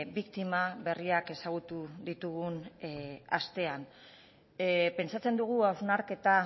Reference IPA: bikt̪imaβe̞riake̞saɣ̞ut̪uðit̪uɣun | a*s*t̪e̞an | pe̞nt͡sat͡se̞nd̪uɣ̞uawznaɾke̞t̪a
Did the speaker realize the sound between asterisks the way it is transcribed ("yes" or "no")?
yes